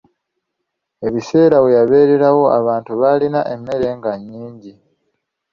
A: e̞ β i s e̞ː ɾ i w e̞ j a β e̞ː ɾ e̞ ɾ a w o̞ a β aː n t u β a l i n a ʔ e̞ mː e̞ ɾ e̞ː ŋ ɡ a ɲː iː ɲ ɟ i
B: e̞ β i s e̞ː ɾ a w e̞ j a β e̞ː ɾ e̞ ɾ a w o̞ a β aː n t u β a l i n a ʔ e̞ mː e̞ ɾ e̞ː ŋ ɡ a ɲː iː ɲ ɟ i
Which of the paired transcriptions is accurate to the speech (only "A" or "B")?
B